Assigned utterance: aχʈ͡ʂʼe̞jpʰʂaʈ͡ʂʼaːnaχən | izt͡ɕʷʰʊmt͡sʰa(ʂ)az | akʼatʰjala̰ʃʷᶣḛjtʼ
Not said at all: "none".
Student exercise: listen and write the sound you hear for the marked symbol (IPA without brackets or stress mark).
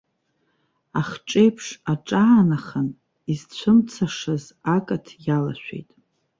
ʂ